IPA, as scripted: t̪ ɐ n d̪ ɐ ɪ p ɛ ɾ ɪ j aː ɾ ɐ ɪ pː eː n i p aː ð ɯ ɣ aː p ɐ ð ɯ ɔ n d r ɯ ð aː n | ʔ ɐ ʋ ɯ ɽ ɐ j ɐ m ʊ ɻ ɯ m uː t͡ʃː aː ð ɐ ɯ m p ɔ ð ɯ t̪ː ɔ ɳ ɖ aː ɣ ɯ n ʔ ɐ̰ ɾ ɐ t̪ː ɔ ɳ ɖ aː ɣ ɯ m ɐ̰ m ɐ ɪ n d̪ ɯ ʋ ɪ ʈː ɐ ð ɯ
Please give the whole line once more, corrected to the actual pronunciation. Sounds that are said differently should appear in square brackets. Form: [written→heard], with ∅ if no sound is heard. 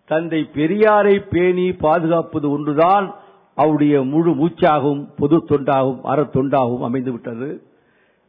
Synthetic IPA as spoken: t̪ ɐ n d̪ ɐ ɪ p ɛ ɾ ɪ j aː ɾ ɐ ɪ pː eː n i p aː ð ɯ ɣ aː p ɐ ð ɯ ɔ n d r ɯ ð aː n | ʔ ɐ ʋ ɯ ɽ ɐ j ɐ m ʊ ɻ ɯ m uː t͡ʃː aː [ð→ɣ] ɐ ɯ m p ɔ ð ɯ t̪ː ɔ ɳ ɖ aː ɣ ɯ [n→m] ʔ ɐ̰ ɾ ɐ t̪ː ɔ ɳ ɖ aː ɣ ɯ m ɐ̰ m ɐ ɪ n d̪ ɯ ʋ ɪ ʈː ɐ ð ɯ